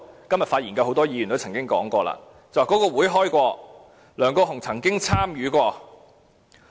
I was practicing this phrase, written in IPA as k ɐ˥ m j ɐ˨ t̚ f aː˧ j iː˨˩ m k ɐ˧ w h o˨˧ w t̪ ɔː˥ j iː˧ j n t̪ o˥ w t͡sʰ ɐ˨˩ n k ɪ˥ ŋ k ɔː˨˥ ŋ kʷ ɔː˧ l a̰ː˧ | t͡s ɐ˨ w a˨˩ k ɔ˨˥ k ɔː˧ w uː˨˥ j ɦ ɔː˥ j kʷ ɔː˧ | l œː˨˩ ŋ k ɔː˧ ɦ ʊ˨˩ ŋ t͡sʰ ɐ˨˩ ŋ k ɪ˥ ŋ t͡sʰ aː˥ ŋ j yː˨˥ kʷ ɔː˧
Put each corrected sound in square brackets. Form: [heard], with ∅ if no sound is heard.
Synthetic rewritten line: k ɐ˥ m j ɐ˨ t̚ f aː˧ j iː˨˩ [n] k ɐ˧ w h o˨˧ w t̪ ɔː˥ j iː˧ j n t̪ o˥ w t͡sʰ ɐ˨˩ [ŋ] k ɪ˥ ŋ k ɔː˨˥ ŋ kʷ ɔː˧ l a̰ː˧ | t͡s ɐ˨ w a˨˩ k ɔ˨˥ k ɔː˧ w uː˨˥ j ɦ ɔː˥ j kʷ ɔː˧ | l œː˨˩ ŋ k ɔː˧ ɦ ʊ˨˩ ŋ t͡sʰ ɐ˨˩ ŋ k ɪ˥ ŋ t͡sʰ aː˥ [m] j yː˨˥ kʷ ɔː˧

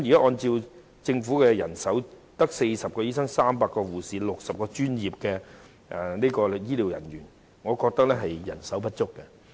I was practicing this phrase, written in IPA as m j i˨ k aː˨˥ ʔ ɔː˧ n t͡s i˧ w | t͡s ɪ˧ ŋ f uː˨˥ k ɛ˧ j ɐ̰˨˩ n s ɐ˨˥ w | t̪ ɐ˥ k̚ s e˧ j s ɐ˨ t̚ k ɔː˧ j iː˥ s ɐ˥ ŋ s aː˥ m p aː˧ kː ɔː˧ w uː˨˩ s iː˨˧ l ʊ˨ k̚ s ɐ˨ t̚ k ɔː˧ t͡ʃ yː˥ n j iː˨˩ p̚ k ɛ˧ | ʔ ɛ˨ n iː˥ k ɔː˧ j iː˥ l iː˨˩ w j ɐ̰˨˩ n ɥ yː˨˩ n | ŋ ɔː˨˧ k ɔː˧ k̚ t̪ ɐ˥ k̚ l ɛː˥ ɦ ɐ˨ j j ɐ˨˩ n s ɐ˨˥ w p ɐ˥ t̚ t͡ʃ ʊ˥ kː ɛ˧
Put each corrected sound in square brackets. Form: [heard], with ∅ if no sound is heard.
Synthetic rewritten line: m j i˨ k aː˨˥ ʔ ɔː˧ n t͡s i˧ w | t͡s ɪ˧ ŋ f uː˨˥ k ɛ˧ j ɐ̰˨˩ n s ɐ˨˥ w | t̪ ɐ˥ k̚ s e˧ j s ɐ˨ [p̚] k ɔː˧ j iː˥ s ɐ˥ ŋ s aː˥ m p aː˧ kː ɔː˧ w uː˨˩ s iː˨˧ l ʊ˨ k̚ s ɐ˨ [p̚] k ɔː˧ t͡ʃ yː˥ n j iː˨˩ p̚ k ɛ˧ | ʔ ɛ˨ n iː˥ k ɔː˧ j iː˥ l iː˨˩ w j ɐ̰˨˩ n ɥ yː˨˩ n | ŋ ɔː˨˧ k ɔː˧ k̚ t̪ ɐ˥ k̚ l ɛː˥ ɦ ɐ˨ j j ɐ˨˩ n s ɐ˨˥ w p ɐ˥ t̚ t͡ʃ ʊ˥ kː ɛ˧

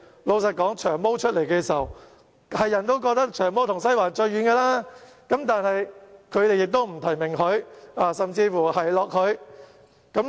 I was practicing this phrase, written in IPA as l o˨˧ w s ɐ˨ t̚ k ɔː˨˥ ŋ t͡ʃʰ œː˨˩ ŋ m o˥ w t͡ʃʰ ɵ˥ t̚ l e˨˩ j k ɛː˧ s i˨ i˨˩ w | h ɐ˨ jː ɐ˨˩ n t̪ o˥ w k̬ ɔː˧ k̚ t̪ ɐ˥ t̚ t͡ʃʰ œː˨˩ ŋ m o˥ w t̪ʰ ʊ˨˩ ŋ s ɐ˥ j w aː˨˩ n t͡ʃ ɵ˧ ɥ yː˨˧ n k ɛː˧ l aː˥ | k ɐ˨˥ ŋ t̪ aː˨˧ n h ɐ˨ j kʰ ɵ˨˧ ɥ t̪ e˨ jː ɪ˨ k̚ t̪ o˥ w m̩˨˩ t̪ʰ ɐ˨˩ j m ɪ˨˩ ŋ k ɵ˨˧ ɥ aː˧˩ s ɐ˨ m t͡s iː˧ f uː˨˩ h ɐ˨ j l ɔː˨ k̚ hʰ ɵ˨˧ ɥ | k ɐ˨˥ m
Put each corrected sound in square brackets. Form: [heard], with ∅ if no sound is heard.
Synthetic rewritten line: l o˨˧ w s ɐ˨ t̚ k ɔː˨˥ ŋ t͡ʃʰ œː˨˩ ŋ m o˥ w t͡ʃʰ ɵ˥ t̚ l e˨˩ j k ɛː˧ s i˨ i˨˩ w | h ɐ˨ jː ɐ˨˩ n t̪ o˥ w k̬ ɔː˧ k̚ t̪ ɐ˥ [k̚] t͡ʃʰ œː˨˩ ŋ m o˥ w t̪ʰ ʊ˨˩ ŋ s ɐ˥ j w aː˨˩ n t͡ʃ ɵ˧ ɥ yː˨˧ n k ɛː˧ l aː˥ | k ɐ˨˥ [m] t̪ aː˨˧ n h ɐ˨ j kʰ ɵ˨˧ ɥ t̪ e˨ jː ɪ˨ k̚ t̪ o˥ w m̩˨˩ t̪ʰ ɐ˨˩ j m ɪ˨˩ ŋ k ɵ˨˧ ɥ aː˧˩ s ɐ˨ m t͡s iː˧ f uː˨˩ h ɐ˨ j l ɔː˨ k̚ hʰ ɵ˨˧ ɥ | k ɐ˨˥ m

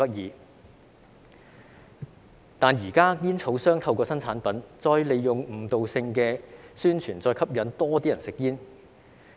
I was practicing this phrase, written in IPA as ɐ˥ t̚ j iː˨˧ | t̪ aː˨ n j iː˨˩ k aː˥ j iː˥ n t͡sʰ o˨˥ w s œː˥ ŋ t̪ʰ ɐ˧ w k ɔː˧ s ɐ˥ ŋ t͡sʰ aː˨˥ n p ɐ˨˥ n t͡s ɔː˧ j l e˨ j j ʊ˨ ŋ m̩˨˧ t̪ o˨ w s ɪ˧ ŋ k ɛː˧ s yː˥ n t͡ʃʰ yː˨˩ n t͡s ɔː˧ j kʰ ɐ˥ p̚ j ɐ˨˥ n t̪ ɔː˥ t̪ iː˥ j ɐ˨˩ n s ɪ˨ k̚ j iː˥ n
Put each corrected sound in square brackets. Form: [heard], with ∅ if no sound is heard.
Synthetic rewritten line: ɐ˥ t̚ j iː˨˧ | t̪ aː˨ n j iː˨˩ k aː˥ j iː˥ n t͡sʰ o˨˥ w s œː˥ ŋ t̪ʰ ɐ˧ w k ɔː˧ s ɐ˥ [n] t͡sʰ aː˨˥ n p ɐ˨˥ n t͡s ɔː˧ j l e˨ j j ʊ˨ ŋ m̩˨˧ t̪ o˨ w s ɪ˧ ŋ k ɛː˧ s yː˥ n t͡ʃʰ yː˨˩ n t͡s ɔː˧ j kʰ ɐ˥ p̚ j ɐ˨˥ n t̪ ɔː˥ t̪ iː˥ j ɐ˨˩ n s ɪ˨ k̚ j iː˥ n

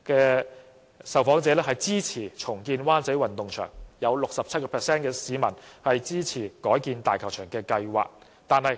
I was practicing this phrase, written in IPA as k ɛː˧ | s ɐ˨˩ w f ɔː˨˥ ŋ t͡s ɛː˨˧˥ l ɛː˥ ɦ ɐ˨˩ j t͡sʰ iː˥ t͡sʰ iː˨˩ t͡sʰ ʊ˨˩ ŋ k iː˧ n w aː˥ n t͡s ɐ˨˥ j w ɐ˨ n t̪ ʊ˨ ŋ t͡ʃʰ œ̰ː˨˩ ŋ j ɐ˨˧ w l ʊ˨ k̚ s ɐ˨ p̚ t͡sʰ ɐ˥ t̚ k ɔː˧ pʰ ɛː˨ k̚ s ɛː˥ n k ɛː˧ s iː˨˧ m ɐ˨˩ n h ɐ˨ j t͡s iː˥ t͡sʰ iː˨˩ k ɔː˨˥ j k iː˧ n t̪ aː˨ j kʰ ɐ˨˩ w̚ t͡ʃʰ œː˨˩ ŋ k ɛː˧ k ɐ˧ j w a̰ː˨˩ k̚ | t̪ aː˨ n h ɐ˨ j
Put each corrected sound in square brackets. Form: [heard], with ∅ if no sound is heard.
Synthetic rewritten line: k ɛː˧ | s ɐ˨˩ w f ɔː˨˥ ŋ t͡s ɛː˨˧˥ l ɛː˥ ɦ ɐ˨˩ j [t͡s] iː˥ t͡sʰ iː˨˩ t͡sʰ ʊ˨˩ ŋ k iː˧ n w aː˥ n t͡s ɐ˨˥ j w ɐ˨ n t̪ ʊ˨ ŋ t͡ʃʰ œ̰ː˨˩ ŋ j ɐ˨˧ w l ʊ˨ k̚ s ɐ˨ p̚ t͡sʰ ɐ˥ t̚ k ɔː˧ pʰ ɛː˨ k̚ s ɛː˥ n k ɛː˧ s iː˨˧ m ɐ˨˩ n h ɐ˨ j t͡s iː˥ t͡sʰ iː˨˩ k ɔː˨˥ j k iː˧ n t̪ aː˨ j kʰ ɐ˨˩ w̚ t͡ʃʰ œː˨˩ ŋ k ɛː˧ k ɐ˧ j w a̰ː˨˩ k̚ | t̪ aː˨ n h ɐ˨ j

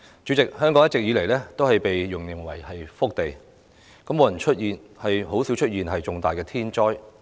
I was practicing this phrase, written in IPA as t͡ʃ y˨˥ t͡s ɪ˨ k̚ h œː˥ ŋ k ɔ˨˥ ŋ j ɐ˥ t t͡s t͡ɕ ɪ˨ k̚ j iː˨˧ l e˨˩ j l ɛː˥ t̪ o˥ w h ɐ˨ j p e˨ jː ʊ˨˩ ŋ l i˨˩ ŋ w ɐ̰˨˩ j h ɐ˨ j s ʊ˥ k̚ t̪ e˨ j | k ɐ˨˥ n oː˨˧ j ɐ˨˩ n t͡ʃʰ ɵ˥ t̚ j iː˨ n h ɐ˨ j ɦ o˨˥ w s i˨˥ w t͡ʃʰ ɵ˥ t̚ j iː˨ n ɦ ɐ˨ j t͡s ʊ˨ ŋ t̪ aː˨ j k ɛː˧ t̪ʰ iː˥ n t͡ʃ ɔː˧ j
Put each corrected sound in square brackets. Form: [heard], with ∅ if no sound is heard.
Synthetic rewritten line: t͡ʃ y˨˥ t͡s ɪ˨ k̚ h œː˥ ŋ k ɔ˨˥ ŋ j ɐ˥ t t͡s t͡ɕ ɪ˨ k̚ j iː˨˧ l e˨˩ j l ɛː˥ t̪ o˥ w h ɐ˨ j p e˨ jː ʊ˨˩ ŋ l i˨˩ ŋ w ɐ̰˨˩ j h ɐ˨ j [f] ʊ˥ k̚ t̪ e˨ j | k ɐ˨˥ [m] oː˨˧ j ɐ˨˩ n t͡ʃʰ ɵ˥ t̚ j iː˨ n h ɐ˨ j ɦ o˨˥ w s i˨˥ w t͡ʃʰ ɵ˥ t̚ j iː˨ n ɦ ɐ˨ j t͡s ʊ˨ ŋ t̪ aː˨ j k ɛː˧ t̪ʰ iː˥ n t͡ʃ [ɔː˥] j

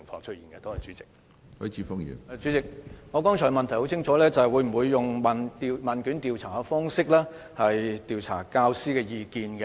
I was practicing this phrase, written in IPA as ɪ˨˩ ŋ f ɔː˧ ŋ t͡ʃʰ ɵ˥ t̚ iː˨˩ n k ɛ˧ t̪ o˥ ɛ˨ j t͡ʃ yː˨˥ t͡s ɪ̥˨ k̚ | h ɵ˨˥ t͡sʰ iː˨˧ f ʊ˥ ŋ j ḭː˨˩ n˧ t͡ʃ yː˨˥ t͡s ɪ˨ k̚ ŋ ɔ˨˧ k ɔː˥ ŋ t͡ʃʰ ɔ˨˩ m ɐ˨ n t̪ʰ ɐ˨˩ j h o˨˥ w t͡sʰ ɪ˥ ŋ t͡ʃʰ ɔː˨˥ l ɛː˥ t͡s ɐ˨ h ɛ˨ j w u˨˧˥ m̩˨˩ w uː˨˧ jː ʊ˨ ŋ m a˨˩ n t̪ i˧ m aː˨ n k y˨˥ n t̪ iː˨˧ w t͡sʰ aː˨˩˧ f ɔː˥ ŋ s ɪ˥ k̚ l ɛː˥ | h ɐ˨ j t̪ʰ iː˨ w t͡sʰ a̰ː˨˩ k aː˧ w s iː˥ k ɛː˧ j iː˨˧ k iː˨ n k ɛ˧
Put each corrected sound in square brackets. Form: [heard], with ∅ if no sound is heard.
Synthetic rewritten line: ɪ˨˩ ŋ f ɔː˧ ŋ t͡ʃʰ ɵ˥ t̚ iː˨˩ n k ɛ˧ t̪ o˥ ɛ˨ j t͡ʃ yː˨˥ t͡s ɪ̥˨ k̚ | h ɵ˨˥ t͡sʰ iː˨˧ f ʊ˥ ŋ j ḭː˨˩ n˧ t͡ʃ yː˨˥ t͡s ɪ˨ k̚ ŋ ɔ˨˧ k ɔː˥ ŋ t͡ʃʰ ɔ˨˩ m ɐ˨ n t̪ʰ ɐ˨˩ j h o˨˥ w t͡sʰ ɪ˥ ŋ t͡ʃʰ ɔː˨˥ l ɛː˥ t͡s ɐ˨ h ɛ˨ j w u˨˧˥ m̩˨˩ w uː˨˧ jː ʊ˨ ŋ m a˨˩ n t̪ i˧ m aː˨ n k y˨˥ n t̪ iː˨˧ w t͡sʰ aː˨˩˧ f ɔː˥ ŋ s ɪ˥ k̚ l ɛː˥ | h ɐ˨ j [t̪] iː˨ w t͡sʰ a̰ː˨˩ k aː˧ w s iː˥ k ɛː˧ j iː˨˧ k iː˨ n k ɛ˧

